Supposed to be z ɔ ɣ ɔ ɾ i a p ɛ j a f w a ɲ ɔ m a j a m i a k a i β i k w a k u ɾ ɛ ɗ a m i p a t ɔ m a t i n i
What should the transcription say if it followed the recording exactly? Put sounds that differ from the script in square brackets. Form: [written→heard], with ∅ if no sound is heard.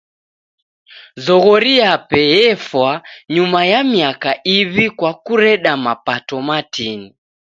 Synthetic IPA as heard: z ɔ ɣ ɔ ɾ i a p ɛ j [a→ɛ] f w a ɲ [ɔ→u] m a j a m i a k a i β i k w a k u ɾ ɛ ɗ a m [i→a] p a t ɔ m a t i n i